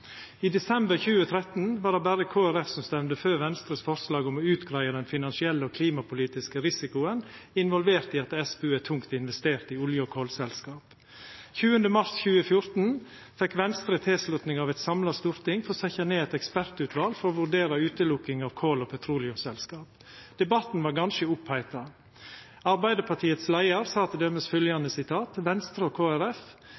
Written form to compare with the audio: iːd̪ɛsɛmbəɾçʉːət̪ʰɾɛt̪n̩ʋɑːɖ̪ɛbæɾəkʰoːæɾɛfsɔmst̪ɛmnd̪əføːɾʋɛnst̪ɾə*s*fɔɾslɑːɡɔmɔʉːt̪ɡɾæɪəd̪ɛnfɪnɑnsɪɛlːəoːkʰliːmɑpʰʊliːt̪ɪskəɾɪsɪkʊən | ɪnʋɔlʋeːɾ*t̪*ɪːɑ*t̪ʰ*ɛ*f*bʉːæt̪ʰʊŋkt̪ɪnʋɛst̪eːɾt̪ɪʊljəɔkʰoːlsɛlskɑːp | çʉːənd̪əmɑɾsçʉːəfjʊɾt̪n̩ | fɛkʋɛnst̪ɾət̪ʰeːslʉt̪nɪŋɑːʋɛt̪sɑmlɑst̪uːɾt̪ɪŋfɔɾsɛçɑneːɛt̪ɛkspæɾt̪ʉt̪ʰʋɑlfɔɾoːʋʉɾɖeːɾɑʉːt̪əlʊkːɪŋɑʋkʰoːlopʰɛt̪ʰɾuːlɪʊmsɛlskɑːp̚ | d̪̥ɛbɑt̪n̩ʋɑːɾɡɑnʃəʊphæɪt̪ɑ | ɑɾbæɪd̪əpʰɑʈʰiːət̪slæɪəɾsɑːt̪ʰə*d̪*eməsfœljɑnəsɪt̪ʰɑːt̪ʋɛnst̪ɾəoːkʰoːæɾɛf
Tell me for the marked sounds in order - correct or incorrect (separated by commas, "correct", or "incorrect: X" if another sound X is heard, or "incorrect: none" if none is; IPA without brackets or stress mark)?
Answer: correct, correct, incorrect: t̪, incorrect: s, correct